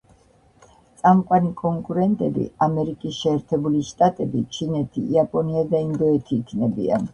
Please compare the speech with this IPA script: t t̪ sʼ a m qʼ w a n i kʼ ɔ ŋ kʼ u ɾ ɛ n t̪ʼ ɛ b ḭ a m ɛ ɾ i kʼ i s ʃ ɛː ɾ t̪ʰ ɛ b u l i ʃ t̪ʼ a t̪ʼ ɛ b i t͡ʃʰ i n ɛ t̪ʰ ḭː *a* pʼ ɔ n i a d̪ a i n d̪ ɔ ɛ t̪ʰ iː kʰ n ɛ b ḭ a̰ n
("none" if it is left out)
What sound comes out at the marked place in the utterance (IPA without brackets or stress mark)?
a